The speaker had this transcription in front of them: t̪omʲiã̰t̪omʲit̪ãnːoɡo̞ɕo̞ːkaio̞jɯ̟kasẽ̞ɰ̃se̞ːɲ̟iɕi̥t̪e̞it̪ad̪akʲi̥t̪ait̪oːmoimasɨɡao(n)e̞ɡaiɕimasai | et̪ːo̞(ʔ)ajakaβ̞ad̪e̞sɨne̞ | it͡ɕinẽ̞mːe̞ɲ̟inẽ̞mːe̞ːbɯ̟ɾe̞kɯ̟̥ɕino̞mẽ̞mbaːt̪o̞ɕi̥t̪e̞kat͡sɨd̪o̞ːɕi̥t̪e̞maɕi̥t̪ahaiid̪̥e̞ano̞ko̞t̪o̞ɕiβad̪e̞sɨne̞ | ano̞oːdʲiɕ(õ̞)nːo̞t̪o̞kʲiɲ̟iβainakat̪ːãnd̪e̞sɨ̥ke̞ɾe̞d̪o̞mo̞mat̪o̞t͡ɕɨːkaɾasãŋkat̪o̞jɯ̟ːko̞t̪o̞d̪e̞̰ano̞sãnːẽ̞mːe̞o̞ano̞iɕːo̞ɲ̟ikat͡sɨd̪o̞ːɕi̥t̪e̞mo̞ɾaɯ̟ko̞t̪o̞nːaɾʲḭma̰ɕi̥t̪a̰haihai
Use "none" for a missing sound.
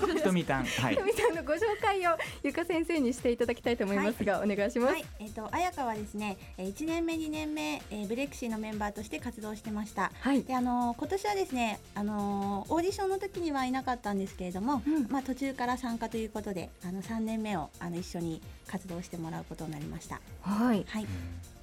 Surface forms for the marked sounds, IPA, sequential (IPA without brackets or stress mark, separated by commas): n, ʔ, õ̞